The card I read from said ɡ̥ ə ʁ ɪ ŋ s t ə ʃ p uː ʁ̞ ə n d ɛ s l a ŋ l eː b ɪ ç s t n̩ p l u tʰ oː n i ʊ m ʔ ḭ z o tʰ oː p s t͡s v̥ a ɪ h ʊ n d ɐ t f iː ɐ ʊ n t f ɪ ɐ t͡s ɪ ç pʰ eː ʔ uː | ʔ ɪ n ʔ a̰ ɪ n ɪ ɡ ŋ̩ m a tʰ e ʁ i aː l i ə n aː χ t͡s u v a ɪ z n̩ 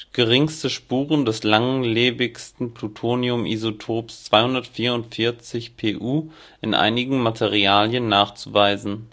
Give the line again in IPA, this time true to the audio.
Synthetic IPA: ɡ̥ ə ʁ ɪ ŋ s t ə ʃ p uː ʁ̞ ə n d ɛ s l a ŋ l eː b ɪ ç s t n̩ p l u tʰ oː n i ʊ m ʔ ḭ z o tʰ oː p s t͡s v̥ a ɪ h ʊ n d ɐ t f iː ɐ ʊ n t f ɪ ɐ t͡s ɪ ç pʰ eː ʔ uː | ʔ ɪ n ʔ a̰ ɪ n ɪ ɡ ŋ̩ m a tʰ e ʁ i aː l j ə nː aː χ t͡s u v a ɪ z n̩